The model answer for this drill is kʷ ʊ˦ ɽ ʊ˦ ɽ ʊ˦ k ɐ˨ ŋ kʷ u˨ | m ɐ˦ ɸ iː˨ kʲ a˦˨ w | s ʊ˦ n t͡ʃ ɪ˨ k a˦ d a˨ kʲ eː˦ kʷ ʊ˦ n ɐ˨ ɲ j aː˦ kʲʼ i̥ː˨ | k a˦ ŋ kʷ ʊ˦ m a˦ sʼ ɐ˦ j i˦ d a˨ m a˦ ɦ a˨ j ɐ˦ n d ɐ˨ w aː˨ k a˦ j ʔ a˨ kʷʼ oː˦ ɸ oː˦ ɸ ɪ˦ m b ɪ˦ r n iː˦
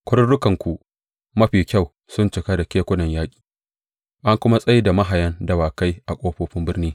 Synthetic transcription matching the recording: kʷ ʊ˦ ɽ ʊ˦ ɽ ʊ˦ k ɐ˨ ŋ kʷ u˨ | m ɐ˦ ɸ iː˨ kʲ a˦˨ w | s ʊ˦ n t͡ʃ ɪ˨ k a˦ d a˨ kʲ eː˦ kʷ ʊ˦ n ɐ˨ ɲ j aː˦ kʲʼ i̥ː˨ | ʔ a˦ ŋ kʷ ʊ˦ m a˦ sʼ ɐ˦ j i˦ d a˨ m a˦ ɦ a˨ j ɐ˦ n d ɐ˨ w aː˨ k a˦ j ʔ a˨ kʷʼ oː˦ ɸ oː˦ ɸ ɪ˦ m b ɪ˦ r n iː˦